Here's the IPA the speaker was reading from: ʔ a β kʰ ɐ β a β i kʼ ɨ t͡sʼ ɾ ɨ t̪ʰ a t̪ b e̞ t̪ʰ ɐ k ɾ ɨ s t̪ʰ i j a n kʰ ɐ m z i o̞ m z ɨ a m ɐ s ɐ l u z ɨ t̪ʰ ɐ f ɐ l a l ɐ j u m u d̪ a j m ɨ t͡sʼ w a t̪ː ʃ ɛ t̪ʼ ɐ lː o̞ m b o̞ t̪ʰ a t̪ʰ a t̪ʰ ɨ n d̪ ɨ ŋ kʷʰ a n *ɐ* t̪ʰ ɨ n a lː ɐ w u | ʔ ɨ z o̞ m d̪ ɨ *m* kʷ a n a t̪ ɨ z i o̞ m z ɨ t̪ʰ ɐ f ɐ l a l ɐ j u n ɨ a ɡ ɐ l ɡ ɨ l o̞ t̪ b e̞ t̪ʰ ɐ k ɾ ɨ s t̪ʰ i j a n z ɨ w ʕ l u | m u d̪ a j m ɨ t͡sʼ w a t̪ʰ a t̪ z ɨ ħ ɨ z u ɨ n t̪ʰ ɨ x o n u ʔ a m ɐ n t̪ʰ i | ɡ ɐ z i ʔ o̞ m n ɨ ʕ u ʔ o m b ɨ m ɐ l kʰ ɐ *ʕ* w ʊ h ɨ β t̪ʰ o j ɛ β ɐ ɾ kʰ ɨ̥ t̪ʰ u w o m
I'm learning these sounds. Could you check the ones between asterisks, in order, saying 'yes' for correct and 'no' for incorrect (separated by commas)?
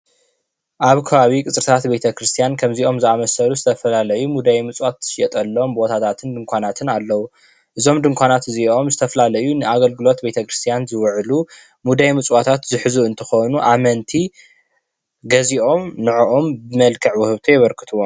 no, no, yes